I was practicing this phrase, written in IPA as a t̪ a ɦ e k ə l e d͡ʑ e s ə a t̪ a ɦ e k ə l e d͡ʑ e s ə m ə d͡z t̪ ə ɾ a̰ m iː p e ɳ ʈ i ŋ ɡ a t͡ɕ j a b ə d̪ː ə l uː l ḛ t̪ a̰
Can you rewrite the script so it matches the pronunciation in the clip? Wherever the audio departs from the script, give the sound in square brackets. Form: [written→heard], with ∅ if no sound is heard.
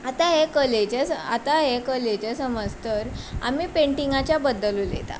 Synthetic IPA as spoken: a t̪ a ɦ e k ə l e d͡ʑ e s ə a t̪ a ɦ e k ə l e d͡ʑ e s ə m ə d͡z t̪ ə ɾ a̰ m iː p e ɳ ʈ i ŋ ɡ a t͡ɕ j a b ə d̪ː ə l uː l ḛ t̪ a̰